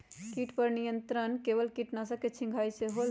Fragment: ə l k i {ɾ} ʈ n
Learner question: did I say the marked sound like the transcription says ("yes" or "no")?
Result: no